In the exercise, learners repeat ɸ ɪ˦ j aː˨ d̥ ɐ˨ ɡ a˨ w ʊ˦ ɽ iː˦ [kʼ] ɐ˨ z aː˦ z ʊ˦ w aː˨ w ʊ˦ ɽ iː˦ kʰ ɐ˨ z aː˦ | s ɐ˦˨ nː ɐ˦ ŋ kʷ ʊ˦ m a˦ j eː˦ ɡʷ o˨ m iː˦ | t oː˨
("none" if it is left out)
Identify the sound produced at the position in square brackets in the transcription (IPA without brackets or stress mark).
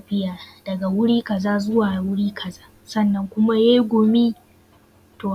k